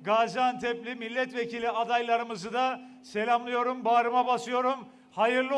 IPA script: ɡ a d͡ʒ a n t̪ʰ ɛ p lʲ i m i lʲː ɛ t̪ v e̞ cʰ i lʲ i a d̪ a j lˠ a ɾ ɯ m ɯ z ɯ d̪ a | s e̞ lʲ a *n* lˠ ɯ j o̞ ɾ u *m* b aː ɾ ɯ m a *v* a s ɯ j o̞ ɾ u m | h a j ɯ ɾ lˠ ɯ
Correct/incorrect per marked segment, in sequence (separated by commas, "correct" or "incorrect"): incorrect, correct, incorrect